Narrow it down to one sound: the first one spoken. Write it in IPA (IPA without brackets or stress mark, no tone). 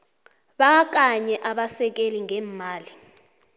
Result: ɓ